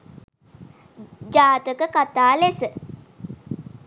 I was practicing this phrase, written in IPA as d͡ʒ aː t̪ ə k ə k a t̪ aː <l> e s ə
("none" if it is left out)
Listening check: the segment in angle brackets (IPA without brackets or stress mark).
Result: l